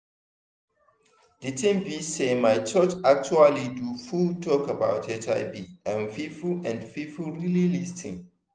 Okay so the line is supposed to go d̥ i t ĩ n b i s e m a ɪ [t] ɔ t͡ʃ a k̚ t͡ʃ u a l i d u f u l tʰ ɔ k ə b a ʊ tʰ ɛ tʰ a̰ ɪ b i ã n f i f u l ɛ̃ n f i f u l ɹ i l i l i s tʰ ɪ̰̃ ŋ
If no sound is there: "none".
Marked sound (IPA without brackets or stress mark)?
t͡ʃ